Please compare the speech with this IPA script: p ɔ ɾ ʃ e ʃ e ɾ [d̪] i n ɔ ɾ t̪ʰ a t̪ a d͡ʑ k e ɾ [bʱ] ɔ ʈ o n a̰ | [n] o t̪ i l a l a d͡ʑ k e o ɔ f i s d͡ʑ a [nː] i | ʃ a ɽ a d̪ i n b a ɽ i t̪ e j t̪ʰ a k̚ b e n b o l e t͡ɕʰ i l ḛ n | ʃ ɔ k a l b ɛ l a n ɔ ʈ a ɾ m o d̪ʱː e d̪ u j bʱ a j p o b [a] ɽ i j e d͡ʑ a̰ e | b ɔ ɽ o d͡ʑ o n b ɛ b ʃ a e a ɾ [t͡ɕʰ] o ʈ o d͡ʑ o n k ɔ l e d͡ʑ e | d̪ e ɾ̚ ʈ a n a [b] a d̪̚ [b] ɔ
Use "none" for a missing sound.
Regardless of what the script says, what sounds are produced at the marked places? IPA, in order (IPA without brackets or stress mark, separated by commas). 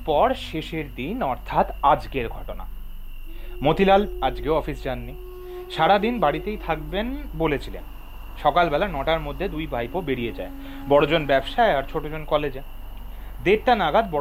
d̪, ɡʱ, m, nː, e, t͡ɕʰ, ɡ, b